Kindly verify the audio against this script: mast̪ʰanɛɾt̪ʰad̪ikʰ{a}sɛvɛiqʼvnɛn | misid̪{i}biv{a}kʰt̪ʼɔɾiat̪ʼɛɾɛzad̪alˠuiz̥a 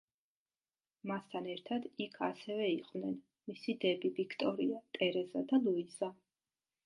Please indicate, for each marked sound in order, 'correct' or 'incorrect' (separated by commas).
correct, incorrect, incorrect